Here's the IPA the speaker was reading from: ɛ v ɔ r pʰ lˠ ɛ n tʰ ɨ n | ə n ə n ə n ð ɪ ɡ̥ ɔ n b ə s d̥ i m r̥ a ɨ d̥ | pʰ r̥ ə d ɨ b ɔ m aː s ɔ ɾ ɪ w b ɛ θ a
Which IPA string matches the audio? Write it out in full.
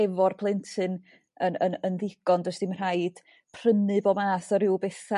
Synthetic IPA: ɛ v ɔ r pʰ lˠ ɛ n tʰ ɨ n | ə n ə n ə n ð ɪ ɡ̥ ɔ n d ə s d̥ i m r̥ a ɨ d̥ | pʰ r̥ ə n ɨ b ɔ m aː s ɔ ɾ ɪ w b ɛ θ a